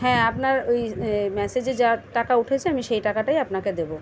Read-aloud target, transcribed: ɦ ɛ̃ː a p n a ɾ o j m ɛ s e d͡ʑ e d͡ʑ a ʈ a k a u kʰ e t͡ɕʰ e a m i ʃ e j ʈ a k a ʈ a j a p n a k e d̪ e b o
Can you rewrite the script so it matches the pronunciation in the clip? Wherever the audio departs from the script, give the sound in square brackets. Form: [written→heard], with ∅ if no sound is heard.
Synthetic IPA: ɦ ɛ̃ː a p n a ɾ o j m ɛ s e d͡ʑ e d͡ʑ a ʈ a k a u [kʰ→ʈʰ] e t͡ɕʰ e a m i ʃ e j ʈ a k a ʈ a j a p n a k e d̪ e b o